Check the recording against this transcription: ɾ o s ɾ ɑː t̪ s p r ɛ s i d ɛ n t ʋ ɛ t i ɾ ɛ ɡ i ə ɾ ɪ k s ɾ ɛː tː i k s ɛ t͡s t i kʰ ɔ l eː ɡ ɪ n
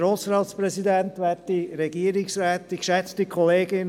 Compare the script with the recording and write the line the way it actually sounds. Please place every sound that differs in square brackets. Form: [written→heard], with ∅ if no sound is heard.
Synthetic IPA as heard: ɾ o s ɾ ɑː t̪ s p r ɛ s i d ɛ n t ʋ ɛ t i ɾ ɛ ɡ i ə ɾ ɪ k s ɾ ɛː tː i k [s→ʃ] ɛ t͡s t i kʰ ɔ l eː ɡ ɪ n